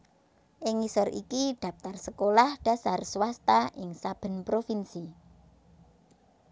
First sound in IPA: ʔ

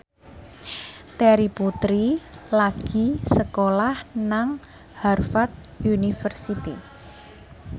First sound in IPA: t̪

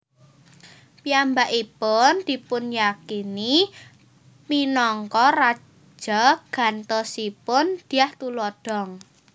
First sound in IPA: p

